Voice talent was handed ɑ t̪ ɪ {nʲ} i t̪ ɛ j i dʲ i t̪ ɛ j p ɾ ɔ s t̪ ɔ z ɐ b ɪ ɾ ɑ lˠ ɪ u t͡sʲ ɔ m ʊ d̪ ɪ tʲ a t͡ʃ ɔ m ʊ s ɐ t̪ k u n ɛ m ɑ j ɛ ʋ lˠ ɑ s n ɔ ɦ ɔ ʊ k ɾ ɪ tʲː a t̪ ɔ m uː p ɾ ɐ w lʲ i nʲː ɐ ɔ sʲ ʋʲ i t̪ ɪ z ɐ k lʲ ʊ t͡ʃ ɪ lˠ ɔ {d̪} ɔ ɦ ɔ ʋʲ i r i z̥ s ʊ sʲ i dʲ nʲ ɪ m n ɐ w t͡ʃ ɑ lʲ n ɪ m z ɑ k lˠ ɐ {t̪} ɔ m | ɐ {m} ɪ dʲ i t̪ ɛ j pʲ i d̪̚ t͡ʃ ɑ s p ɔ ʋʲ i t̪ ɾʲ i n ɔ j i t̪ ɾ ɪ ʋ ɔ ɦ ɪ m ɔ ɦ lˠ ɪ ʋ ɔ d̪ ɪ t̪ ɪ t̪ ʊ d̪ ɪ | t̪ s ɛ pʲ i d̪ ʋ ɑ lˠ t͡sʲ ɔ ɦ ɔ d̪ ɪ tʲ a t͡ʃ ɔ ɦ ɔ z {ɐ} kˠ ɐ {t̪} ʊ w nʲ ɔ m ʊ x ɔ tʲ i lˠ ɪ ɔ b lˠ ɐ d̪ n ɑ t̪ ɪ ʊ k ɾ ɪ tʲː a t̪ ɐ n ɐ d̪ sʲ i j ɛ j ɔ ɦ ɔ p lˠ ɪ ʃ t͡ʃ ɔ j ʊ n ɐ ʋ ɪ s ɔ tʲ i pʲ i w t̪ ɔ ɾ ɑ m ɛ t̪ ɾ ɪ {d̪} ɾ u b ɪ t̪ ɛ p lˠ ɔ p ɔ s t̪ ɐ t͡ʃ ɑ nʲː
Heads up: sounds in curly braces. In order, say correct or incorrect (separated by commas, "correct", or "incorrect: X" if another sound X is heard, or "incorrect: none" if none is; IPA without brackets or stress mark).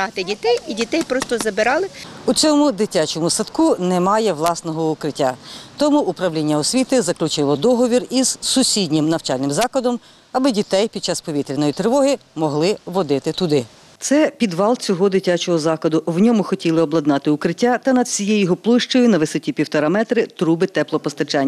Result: incorrect: dʲ, correct, incorrect: d̪, incorrect: b, incorrect: ɑ, incorrect: d̪, incorrect: t̪